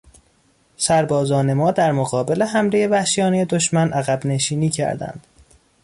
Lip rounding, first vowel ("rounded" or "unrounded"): unrounded